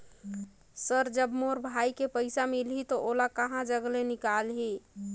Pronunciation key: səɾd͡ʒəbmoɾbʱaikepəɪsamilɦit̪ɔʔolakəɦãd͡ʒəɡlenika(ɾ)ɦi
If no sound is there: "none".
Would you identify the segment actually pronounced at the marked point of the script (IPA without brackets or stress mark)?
l